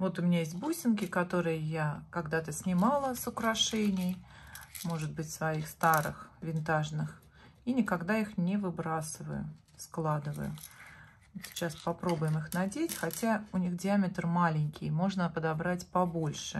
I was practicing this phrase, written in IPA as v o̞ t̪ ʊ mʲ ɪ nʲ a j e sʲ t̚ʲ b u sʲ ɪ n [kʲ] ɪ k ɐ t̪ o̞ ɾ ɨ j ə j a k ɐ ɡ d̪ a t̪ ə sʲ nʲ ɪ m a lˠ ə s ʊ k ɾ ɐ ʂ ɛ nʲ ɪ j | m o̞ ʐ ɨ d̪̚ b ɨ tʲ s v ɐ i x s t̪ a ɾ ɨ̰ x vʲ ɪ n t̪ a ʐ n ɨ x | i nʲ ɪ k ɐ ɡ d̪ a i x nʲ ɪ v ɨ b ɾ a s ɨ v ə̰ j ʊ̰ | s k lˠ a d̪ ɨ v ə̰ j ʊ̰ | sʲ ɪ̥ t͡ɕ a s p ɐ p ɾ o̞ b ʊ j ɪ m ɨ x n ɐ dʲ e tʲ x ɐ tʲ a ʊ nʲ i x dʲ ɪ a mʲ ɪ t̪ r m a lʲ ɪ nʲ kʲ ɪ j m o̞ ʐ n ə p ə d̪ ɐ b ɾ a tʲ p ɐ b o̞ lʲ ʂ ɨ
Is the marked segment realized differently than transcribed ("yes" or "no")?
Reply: no